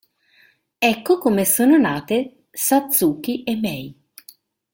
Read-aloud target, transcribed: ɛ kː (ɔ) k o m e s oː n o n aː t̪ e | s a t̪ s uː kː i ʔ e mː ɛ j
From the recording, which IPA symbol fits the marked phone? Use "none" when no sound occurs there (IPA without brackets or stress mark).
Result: o